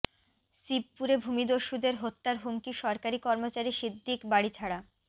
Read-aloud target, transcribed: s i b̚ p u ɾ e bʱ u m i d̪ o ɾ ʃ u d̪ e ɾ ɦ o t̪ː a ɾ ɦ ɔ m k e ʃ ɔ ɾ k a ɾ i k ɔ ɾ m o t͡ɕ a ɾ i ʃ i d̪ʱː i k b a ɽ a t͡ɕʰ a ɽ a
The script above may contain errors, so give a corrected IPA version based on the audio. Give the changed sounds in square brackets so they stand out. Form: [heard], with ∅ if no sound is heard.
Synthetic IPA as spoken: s i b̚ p u ɾ e bʱ u m i d̪ o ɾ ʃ u d̪ e ɾ ɦ o t̪ː a ɾ ɦ [u] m k [i] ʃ ɔ ɾ k a ɾ i k ɔ ɾ m o t͡ɕ a ɾ i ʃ i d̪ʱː i k b a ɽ [i] t͡ɕʰ a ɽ a